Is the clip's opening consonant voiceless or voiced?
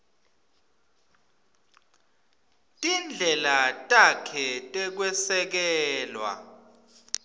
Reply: voiceless